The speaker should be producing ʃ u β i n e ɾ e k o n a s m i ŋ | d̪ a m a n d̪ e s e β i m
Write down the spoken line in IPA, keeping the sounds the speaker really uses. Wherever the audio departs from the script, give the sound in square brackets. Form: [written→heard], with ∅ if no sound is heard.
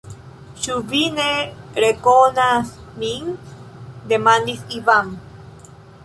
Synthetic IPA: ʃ u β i n e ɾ e k o n a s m i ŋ | d̪ [a→e] m a n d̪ [e→i] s [e→i] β [i→a] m